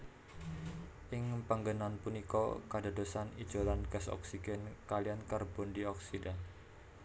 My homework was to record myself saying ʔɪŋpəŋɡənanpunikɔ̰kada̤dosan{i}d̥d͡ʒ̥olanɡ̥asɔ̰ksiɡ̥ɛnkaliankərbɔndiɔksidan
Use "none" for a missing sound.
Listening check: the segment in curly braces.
i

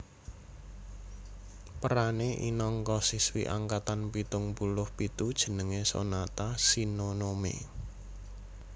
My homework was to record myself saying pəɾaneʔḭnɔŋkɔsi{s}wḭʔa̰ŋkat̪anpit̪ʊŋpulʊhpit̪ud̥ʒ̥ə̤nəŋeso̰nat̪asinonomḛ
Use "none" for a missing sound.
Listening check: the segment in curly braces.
s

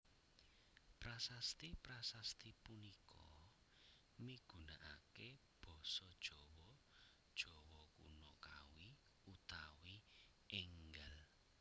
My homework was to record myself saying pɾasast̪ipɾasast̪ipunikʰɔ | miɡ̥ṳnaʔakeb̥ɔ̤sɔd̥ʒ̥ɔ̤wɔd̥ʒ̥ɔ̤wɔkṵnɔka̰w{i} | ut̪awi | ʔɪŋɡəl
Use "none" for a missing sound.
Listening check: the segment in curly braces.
i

